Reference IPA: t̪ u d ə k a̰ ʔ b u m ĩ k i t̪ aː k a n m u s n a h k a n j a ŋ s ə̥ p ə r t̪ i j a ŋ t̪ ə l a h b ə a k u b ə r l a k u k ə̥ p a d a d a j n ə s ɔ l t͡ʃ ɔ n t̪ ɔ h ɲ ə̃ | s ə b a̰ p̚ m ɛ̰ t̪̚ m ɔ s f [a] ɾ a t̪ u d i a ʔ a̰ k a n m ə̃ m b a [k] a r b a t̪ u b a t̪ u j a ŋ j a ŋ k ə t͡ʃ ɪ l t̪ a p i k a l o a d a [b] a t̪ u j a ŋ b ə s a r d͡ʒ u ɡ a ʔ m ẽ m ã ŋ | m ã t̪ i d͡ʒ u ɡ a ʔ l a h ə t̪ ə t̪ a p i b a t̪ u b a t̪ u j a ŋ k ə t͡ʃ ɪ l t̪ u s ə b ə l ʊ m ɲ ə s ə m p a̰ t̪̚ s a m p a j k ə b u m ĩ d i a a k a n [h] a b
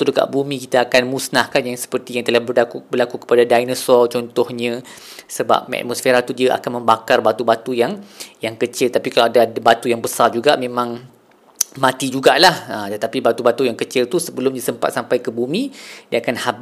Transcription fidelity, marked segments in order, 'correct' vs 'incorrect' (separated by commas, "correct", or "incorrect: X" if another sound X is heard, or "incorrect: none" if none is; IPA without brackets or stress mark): incorrect: e, correct, correct, correct